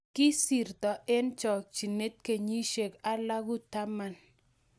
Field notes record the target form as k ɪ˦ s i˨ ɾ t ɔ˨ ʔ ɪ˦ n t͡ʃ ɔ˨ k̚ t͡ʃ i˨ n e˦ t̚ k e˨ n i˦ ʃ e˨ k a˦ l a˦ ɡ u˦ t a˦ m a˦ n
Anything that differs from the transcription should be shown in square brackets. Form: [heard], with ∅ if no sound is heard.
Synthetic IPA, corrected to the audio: k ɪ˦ s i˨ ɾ t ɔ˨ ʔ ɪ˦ n t͡ʃ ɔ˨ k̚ t͡ʃ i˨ n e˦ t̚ k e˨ [ɲ] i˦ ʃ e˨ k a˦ l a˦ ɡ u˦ t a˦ m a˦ n